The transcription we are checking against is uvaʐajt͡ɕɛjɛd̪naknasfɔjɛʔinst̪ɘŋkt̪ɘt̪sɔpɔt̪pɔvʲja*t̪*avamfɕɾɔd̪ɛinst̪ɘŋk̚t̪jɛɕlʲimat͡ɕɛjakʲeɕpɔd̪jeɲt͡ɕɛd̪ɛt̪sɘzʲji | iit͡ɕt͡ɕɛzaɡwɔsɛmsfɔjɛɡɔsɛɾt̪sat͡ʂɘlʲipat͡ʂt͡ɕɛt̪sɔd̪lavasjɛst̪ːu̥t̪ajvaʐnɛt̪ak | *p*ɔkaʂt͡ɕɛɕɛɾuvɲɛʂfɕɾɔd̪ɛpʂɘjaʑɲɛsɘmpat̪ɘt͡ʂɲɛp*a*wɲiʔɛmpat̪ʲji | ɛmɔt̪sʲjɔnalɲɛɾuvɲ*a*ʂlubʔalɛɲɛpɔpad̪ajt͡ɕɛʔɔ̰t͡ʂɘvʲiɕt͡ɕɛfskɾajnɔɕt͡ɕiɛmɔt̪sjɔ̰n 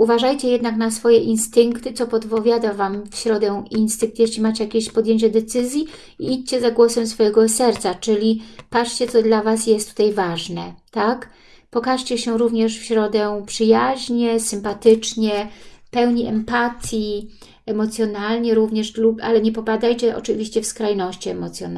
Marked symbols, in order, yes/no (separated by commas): no, yes, no, no